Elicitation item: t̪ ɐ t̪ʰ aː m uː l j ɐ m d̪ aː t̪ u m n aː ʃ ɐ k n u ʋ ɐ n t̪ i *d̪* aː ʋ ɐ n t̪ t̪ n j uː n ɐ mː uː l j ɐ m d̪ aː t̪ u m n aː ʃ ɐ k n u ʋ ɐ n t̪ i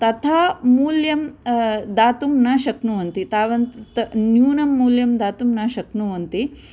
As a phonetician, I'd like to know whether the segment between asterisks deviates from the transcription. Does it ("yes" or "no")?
yes